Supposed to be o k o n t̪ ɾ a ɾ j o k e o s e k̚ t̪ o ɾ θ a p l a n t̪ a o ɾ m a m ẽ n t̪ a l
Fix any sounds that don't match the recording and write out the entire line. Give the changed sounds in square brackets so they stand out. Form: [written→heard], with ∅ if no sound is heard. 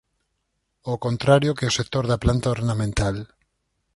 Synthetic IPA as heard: o k o n t̪ ɾ a ɾ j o k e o s e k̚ t̪ o ɾ [θ→ð] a p l a n t̪ a o ɾ [m→n] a m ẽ n t̪ a l